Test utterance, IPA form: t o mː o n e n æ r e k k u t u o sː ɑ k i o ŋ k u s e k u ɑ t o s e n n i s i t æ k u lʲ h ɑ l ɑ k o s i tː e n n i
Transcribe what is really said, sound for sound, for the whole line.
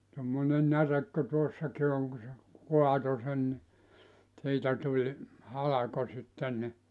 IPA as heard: t o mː o n e n æ r e k k u t u o sː ɑ k i o ŋ k u s e k u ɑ t o s e n n i s iː t æ t u lʲ h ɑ l ɑ k o s i tː e n n i